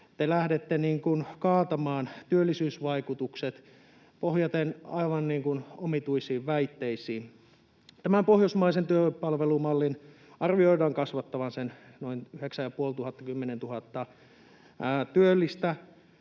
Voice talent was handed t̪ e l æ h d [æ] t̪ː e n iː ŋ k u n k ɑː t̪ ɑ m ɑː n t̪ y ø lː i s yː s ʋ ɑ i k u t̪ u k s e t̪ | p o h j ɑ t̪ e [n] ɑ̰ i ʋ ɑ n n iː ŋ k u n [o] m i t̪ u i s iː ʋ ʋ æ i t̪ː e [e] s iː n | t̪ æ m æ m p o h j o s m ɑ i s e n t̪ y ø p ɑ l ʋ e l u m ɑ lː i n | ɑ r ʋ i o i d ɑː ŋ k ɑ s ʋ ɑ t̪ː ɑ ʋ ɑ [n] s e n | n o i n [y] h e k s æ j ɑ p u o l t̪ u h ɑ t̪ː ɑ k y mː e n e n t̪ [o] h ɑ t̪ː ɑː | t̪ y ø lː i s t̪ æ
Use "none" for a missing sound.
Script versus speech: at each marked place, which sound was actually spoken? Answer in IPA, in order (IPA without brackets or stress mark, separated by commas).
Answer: e, n, o, i, n, y, u